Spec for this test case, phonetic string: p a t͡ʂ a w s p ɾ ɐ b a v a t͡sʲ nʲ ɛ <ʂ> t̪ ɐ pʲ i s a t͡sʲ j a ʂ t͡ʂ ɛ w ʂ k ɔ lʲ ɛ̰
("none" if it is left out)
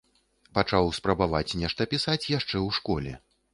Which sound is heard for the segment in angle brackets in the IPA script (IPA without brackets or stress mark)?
ʂ